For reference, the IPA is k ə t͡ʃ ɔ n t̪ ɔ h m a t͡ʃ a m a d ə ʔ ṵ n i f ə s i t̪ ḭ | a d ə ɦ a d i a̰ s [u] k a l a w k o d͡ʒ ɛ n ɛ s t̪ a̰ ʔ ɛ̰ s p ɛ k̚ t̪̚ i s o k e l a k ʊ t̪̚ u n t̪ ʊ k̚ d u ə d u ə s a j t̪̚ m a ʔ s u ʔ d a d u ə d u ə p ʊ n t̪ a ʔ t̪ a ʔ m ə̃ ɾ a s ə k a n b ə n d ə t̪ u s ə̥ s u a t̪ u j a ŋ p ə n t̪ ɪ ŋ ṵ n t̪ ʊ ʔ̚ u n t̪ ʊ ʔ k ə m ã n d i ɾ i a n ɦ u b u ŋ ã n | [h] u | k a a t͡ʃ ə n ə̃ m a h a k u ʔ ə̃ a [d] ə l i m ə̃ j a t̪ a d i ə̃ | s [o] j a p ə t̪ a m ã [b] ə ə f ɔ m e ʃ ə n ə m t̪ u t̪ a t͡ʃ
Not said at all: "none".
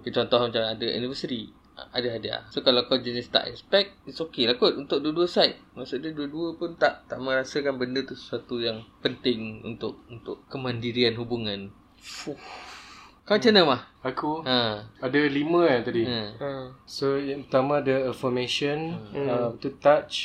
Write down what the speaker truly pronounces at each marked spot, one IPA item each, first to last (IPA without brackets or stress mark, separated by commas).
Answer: o, f, d, o, d